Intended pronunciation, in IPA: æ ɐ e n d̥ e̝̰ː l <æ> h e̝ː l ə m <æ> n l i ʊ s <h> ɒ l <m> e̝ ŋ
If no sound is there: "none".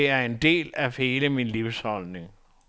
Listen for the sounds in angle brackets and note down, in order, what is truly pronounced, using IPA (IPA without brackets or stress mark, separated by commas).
æ, i, h, n